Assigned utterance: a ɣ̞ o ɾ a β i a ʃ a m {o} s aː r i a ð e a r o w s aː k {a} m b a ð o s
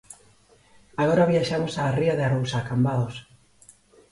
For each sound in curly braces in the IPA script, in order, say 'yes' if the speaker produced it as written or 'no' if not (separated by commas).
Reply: yes, yes